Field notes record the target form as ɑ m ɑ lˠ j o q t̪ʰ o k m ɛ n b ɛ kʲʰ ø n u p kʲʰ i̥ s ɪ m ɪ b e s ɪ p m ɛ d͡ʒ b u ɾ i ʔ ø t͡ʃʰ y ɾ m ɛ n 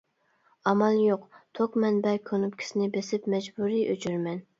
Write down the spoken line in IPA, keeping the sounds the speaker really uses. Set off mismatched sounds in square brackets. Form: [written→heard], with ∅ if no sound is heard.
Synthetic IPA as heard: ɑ m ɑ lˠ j o q t̪ʰ o k m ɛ n b ɛ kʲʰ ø n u p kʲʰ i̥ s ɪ [m→n] ɪ b e s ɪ p m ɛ d͡ʒ b u ɾ i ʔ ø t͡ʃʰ y ɾ m ɛ n